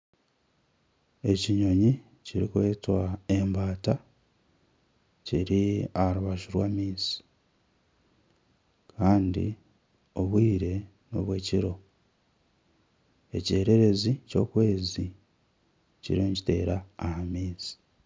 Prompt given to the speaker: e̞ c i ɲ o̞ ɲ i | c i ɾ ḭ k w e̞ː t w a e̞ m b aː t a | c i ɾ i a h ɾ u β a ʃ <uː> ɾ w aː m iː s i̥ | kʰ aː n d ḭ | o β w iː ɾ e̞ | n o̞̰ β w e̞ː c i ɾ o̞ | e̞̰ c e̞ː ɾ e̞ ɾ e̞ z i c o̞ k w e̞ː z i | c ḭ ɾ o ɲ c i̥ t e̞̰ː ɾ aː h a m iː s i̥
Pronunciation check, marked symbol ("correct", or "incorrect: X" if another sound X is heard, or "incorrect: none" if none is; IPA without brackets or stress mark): incorrect: u